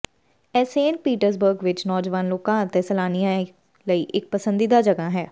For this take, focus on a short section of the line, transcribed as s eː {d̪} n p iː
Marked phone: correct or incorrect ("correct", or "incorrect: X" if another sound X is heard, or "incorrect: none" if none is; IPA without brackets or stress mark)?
incorrect: none